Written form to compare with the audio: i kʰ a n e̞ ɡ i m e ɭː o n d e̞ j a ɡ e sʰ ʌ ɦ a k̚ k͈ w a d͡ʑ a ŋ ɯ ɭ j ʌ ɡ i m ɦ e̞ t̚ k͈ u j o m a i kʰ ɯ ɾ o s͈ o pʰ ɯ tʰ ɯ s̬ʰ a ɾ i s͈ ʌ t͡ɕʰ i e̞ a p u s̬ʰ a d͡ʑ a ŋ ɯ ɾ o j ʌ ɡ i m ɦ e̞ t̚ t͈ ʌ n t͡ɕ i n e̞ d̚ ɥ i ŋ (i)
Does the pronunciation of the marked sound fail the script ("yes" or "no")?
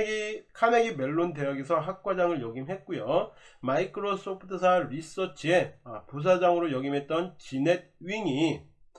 no